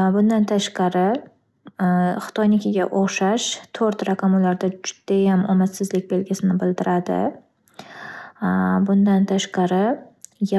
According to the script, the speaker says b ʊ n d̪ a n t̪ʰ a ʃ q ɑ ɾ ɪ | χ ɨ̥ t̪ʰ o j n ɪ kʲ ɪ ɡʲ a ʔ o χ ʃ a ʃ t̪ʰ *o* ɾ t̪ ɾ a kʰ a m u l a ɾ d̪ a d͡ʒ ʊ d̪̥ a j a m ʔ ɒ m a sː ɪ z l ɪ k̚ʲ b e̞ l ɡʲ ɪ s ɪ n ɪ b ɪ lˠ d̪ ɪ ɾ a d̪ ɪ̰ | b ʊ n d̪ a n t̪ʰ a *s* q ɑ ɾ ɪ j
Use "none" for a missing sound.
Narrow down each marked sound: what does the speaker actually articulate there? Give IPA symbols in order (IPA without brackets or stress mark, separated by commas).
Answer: o, ʃ